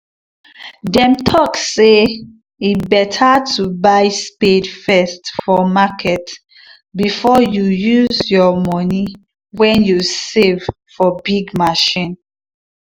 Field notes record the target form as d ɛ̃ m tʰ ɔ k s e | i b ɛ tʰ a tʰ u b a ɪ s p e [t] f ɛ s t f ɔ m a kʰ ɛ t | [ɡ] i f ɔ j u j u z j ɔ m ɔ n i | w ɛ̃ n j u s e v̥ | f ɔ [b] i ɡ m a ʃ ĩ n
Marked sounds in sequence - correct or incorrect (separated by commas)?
incorrect, incorrect, correct